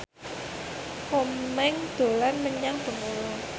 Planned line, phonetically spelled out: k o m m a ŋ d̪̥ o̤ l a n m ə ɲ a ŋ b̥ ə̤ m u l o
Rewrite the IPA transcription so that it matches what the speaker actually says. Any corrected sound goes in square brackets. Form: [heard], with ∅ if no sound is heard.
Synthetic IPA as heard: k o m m [ɛ] ŋ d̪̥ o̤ l a n m ə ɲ a ŋ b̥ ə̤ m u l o